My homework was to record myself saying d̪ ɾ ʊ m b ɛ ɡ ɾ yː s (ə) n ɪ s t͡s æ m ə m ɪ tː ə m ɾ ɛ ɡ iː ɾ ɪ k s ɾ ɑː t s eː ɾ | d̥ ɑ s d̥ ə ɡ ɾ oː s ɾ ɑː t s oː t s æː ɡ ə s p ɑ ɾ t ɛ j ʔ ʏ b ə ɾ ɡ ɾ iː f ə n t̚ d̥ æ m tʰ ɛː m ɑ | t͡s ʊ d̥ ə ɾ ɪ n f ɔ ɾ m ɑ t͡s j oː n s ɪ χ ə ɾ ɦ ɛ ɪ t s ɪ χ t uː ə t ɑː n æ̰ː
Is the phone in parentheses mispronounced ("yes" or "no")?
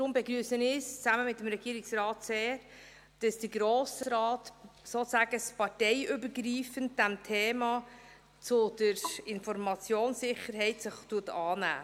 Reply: no